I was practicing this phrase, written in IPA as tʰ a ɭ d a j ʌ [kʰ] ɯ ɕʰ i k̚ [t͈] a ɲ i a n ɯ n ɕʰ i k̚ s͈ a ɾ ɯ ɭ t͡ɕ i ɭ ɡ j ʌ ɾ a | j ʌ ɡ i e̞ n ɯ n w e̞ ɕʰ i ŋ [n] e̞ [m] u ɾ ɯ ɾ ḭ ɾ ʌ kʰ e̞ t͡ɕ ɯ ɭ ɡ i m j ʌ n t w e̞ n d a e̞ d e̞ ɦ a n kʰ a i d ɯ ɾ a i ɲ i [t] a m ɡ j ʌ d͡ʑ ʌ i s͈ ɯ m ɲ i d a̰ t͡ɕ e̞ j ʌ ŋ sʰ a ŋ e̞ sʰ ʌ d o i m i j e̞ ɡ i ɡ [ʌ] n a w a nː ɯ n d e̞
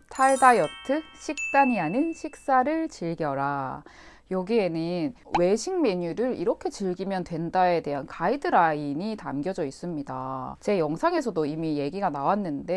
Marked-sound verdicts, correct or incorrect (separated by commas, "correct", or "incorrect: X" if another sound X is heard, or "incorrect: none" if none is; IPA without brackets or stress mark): incorrect: tʰ, correct, incorrect: m, incorrect: ɲ, correct, incorrect: a